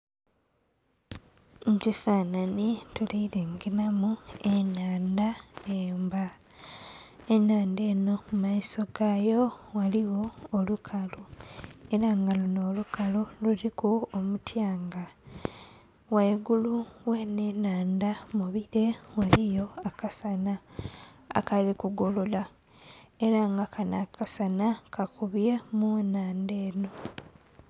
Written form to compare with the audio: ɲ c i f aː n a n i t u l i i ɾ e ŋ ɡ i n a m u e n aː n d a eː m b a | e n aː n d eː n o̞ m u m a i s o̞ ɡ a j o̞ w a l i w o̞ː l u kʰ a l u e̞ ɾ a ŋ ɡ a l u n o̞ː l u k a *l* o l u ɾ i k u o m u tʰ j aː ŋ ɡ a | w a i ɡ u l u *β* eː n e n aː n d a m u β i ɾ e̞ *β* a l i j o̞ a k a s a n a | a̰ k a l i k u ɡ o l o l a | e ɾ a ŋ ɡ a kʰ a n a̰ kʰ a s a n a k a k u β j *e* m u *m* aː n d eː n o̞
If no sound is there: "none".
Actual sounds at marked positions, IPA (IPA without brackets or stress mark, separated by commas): l, w, w, e, n